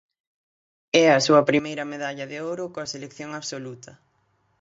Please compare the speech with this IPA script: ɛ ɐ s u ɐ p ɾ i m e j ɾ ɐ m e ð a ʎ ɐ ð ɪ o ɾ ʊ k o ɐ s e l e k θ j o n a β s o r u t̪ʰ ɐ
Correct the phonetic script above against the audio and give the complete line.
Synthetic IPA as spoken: ɛ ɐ s u ɐ p ɾ i m e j ɾ ɐ m e ð a ʎ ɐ ð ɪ o ɾ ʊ k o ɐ s e l e k θ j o ŋ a β s o l u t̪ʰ ɐ